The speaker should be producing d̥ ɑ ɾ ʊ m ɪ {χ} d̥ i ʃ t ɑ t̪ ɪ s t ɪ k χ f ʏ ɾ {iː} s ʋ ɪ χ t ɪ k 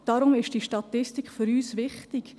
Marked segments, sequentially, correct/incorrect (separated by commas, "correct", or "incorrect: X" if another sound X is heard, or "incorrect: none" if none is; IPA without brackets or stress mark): incorrect: ʃ, incorrect: yː